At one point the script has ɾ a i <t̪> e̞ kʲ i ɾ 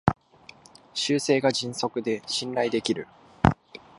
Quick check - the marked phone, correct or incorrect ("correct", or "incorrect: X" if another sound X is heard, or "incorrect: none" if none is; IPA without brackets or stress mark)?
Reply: incorrect: d̪